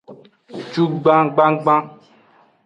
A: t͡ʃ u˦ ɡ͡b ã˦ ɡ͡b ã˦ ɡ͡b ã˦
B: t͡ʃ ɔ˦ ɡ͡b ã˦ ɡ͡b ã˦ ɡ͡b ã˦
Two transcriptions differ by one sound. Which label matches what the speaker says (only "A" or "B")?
A